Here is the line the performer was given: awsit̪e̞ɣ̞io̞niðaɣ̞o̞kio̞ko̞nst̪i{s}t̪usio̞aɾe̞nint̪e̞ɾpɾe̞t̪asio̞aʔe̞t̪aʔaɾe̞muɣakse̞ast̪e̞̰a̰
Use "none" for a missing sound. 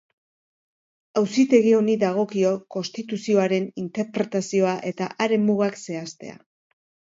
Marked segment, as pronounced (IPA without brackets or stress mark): none